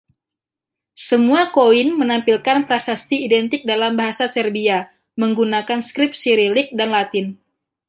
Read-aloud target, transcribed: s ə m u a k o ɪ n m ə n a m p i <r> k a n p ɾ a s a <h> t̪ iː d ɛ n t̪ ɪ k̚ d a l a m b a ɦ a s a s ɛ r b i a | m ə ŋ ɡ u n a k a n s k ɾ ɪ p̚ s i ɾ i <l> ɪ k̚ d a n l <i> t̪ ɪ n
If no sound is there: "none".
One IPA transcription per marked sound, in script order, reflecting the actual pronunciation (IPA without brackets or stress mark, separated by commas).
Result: l, s, l, a